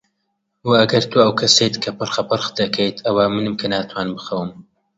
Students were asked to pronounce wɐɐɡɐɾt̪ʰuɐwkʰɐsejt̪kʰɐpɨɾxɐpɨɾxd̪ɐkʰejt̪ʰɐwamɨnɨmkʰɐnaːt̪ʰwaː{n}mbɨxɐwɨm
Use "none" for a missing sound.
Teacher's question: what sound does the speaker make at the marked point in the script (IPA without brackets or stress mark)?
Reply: n